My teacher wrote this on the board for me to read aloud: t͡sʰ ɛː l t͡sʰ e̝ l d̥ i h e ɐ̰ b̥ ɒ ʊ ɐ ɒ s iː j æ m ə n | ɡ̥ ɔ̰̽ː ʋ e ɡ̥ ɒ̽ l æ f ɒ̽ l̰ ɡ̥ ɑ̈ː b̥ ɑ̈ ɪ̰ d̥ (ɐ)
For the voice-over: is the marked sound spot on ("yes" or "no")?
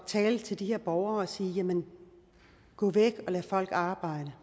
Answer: no